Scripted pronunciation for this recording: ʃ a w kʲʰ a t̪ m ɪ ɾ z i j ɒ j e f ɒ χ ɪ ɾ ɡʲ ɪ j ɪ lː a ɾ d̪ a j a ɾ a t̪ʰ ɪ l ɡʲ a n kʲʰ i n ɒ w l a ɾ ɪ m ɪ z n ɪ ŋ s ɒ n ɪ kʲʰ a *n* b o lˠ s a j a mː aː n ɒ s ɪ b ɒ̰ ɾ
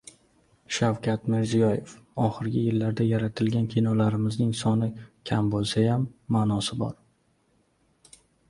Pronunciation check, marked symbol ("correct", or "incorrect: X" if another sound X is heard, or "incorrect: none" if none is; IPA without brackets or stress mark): incorrect: m